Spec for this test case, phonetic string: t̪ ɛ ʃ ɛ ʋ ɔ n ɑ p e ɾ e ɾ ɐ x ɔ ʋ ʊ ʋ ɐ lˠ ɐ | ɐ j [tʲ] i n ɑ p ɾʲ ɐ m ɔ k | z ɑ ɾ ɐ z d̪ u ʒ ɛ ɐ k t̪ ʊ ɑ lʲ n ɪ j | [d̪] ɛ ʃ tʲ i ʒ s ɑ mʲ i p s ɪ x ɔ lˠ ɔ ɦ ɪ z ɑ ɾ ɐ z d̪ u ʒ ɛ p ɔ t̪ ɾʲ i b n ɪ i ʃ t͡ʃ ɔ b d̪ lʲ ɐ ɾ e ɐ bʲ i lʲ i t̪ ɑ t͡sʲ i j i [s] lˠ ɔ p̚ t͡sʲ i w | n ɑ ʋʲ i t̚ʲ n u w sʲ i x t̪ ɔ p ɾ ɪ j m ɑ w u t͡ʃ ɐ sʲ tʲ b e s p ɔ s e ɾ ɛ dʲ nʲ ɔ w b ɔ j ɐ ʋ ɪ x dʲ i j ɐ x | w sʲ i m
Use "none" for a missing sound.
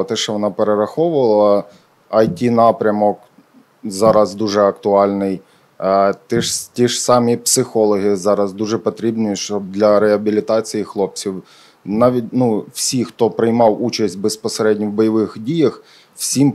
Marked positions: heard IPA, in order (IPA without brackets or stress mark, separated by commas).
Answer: tʲ, t̪, x